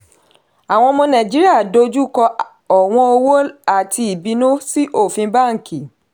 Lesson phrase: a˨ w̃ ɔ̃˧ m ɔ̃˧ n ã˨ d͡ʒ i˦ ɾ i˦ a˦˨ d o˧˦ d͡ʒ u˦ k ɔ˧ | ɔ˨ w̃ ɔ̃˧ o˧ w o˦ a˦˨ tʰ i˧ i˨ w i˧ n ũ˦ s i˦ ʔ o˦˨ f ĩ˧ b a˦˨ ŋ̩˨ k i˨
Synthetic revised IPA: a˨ w̃ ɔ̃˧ m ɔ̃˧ n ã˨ d͡ʒ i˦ ɾ i˦ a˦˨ d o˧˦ d͡ʒ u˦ k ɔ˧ | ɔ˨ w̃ ɔ̃˧ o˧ w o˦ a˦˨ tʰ i˧ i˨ b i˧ n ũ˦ s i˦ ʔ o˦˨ f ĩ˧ b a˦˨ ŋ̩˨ k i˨